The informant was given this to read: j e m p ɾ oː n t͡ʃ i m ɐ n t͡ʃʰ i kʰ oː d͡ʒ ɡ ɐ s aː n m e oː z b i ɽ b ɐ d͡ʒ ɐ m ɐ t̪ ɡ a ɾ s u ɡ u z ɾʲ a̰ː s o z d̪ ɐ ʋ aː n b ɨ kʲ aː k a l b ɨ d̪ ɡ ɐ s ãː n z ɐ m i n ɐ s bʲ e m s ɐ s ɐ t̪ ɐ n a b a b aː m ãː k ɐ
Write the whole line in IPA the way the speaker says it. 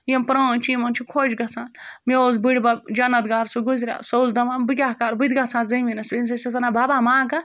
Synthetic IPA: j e m p ɾ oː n t͡ʃ i m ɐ n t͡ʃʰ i kʰ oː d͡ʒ ɡ ɐ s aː n m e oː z b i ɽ b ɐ d͡ʒ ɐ n ɐ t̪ ɡ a ɾ s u ɡ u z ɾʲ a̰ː s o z d̪ ɐ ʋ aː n b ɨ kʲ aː k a ɾ b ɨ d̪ ɡ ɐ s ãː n z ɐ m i n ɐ s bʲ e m s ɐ s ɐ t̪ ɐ n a b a b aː m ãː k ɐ